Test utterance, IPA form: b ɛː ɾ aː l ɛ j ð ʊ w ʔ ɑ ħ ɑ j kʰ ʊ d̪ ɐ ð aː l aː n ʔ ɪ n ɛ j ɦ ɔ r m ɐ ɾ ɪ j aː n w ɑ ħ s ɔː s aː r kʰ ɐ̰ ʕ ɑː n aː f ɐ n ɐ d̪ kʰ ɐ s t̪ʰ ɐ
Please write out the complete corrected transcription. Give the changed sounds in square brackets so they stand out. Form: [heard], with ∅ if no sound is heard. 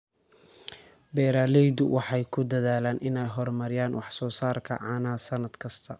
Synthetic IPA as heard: b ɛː ɾ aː l ɛ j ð ʊ w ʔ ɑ ħ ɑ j kʰ ʊ d̪ ɐ ð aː l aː n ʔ ɪ n ɛ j ɦ ɔ r m ɐ ɾ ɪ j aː n w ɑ ħ s ɔː s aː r kʰ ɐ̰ ʕ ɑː n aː [s] ɐ n ɐ d̪ kʰ ɐ s t̪ʰ ɐ